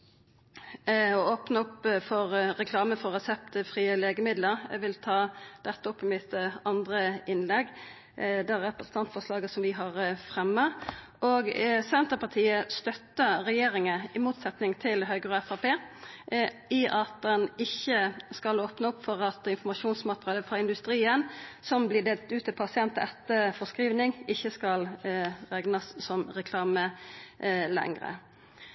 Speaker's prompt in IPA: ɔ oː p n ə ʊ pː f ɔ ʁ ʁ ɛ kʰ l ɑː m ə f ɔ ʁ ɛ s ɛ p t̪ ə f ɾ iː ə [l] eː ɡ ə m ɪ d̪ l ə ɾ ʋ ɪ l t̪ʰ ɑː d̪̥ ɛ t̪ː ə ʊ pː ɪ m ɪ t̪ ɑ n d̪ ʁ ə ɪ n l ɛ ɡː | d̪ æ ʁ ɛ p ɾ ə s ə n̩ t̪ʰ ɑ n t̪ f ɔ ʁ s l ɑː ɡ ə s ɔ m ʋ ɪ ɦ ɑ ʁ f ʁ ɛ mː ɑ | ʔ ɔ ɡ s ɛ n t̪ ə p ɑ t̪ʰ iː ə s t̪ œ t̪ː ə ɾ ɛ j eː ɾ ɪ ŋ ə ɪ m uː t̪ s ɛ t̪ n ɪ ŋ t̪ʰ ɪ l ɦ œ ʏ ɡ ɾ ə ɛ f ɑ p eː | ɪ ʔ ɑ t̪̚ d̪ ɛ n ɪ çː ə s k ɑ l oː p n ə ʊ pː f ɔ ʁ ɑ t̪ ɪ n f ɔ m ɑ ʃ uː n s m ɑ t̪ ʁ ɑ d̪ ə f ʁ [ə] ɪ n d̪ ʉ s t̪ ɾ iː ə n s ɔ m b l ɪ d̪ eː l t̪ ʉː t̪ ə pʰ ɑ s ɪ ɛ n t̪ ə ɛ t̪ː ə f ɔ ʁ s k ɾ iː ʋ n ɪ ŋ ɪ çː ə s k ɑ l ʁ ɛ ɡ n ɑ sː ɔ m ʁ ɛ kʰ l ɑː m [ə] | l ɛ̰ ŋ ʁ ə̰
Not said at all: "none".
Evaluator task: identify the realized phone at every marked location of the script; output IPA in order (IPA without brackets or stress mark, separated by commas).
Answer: l, ɑ, ə